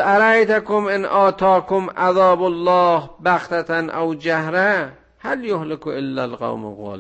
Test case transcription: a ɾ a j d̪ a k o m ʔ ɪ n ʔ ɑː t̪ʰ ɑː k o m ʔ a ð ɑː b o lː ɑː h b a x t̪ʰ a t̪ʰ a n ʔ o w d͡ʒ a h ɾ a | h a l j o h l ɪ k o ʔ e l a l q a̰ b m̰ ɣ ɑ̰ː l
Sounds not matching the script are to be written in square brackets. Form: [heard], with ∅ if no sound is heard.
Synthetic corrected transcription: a ɾ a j [t̪] a k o m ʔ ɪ n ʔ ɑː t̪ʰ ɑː k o m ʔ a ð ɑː b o lː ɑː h b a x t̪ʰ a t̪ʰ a n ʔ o w d͡ʒ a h ɾ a | h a l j o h l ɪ k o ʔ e [lː] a l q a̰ [w] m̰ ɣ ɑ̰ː l